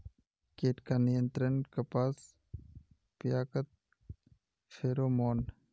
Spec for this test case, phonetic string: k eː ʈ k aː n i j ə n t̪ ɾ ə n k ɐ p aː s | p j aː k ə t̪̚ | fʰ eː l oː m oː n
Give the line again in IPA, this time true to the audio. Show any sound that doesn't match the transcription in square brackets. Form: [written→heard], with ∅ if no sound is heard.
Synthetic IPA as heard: k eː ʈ k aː n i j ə n t̪ ɾ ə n k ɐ p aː s | p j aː k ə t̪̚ | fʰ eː [l→ɾ] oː m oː n